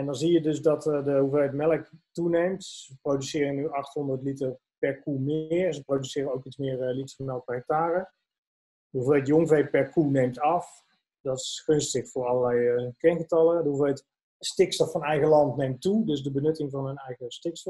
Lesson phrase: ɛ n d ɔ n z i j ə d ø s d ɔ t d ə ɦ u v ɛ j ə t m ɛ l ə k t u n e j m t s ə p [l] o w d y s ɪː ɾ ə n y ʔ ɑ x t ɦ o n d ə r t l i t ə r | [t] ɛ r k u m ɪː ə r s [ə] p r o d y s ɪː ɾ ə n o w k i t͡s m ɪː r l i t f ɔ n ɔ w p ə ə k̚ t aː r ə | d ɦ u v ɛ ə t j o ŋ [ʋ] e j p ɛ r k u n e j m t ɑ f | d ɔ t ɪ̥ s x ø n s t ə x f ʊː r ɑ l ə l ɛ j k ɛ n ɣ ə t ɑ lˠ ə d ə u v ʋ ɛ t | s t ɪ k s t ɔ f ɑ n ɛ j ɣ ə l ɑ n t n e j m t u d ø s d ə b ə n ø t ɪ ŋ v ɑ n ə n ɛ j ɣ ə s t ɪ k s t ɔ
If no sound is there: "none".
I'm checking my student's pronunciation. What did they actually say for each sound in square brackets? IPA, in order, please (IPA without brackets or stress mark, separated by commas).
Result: r, p, ə, v